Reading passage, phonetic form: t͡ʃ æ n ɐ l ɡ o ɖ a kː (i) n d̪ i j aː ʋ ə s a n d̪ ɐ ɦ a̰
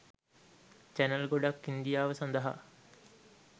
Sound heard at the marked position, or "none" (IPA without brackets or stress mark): i